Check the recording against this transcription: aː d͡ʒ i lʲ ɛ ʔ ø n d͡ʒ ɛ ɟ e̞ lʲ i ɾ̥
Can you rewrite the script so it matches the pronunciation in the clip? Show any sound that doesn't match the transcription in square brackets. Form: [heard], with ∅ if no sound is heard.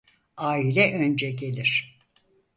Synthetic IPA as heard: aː [∅] i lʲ ɛ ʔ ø n d͡ʒ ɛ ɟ e̞ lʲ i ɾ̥